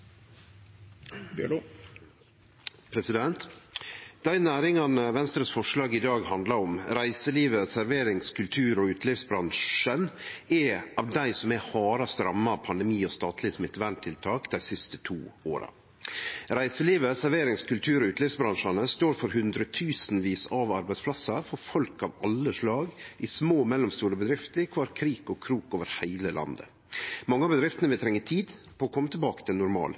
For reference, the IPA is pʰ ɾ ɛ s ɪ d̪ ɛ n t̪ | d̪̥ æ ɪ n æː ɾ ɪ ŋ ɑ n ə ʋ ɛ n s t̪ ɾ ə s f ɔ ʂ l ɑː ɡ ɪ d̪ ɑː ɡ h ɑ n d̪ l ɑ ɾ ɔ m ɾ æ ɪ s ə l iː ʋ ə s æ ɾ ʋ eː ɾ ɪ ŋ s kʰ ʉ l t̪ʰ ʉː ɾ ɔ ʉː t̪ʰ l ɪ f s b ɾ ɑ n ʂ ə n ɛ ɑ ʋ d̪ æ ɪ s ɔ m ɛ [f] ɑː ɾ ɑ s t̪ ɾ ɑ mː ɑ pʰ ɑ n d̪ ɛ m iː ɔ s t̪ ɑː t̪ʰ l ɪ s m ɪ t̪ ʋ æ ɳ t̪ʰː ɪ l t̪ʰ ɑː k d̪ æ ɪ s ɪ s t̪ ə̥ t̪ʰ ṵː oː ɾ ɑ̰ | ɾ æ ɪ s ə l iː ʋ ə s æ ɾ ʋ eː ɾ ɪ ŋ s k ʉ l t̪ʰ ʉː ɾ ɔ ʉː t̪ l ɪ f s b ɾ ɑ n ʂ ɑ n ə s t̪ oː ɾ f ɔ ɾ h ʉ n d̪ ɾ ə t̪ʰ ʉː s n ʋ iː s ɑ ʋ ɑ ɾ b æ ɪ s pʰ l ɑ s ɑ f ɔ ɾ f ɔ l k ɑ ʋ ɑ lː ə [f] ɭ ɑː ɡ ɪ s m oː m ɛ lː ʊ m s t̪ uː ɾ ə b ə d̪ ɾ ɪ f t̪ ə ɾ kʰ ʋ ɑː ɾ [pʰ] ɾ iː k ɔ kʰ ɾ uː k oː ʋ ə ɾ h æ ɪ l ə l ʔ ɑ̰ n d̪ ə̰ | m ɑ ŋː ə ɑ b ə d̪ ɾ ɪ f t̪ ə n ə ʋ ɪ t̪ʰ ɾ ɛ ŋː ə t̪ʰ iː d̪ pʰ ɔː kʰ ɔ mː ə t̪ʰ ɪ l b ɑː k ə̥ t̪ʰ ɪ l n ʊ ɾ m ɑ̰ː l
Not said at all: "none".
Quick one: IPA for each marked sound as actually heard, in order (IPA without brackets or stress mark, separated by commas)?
h, ʂ, kʰ